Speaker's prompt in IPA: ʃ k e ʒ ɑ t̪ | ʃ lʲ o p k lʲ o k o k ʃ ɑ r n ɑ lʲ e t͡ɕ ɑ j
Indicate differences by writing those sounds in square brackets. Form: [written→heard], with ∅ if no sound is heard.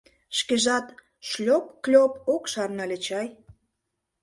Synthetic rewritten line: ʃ k e ʒ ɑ t̪ | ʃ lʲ o p k lʲ o [k→p] o k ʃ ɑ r n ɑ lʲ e t͡ɕ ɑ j

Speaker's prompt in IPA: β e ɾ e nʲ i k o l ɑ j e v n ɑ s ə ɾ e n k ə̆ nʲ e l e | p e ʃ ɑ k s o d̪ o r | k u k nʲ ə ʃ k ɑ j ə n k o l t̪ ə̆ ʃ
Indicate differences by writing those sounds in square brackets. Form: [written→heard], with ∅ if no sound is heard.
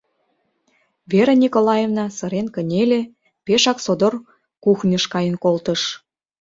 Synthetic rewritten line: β e ɾ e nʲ i k o l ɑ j e v n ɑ s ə ɾ e n k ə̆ nʲ e l e | p e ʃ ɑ k s o d̪ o r | k u [k→x] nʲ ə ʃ k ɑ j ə n k o l t̪ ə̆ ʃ

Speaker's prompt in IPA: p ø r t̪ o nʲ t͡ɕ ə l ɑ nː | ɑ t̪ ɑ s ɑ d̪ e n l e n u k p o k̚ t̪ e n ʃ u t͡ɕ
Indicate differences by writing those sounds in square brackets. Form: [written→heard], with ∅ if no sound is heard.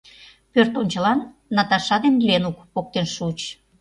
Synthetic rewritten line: p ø r t̪ o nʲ t͡ɕ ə l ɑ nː | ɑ t̪ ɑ [s→ʃ] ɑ d̪ e n l e n u k p o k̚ t̪ e n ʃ u t͡ɕ

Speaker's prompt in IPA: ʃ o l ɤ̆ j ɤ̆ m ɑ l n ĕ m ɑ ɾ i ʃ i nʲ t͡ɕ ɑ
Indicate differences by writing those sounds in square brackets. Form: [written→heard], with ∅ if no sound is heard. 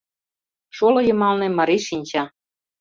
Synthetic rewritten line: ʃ o l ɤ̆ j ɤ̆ m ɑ l n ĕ m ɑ ɾ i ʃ i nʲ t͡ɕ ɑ

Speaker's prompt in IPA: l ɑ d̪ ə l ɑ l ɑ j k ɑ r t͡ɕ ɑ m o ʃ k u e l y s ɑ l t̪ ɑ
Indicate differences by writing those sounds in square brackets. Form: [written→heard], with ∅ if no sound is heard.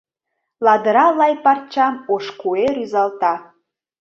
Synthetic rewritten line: l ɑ d̪ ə [l→ɾ] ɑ l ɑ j [k→p] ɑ r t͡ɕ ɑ m o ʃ k u e [l→ɾ] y [s→z] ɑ l t̪ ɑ

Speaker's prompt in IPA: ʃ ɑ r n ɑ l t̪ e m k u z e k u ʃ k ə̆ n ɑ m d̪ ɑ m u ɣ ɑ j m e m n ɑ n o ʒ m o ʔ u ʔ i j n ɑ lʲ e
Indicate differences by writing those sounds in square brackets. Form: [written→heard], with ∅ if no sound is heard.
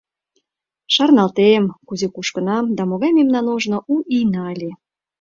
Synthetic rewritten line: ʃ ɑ r n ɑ l t̪ e m k u z e k u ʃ k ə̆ n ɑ m d̪ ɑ m [u→o] ɣ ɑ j m e m n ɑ n o ʒ [m→n] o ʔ u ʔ i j n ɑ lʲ e

